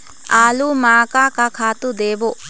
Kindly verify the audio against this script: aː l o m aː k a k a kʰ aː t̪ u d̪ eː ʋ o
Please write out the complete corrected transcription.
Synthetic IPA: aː l u m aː k a k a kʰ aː t̪ u d̪ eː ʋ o